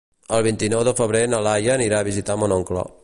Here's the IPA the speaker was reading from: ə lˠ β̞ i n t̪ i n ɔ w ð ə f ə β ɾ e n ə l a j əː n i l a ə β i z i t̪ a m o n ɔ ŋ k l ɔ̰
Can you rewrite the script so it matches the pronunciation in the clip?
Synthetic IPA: ə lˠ β̞ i n t̪ i n ɔ w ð ə f ə β ɾ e n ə l a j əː n i ɾ a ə β i z i t̪ a m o n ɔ ŋ k l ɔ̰